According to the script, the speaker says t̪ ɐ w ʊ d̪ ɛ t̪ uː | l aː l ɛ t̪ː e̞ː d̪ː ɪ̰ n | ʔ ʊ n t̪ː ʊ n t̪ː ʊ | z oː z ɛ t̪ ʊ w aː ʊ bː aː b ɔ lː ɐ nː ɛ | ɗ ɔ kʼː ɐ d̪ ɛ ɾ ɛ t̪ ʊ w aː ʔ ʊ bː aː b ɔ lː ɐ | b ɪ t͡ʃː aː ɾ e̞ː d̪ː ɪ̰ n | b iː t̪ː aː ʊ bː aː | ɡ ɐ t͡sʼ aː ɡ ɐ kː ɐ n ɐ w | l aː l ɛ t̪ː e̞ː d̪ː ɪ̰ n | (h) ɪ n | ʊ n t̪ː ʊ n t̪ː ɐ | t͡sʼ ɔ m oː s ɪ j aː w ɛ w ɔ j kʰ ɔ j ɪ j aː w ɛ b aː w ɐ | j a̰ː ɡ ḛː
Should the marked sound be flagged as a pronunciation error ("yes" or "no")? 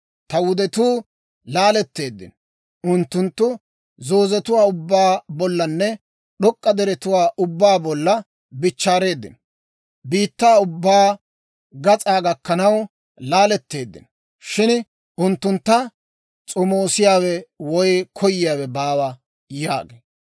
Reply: yes